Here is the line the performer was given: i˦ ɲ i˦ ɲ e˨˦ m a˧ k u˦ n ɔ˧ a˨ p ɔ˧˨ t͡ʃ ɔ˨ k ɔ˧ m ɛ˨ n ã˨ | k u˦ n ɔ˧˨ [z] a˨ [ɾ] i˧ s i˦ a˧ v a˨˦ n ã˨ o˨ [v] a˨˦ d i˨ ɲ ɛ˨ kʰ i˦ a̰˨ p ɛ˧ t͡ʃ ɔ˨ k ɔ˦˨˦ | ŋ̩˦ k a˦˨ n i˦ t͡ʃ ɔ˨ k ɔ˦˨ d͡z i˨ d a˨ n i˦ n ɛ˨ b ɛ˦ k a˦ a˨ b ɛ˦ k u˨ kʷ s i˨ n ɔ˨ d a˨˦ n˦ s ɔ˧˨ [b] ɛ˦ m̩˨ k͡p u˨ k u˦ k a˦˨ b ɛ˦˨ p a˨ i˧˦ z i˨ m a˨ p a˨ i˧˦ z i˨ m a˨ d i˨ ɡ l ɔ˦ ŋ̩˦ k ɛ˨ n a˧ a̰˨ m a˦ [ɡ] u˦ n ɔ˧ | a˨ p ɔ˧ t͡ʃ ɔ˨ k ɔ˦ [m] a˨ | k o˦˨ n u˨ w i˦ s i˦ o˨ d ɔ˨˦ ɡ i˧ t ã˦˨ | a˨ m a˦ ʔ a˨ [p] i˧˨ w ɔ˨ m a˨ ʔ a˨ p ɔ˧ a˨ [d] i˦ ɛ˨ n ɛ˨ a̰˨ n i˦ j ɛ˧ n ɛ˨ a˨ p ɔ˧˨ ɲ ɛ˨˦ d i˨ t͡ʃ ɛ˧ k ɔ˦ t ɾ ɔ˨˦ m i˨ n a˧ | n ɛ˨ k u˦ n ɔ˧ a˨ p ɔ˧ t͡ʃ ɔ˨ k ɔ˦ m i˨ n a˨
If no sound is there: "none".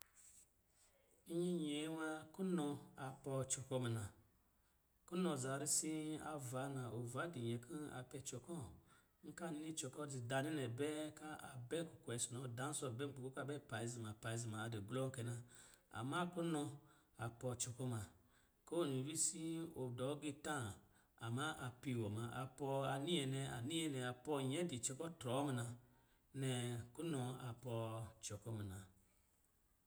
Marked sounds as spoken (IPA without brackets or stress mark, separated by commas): z, ɾ, v, b, k, m, p, n